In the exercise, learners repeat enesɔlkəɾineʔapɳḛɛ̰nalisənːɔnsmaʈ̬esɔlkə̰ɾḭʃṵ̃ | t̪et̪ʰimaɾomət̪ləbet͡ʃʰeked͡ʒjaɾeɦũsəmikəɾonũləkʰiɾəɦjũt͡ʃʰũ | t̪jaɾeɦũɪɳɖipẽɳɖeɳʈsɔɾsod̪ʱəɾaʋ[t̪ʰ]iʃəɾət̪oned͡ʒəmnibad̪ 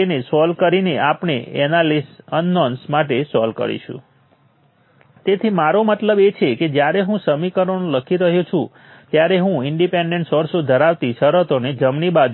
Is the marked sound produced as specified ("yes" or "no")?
no